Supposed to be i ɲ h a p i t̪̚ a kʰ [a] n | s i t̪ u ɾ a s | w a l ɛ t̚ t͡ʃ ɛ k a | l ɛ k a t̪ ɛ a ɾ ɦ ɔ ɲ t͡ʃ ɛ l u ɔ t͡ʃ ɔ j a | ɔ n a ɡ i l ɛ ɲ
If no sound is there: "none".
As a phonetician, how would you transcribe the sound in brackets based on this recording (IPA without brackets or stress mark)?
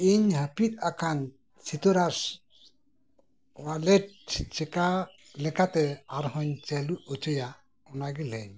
a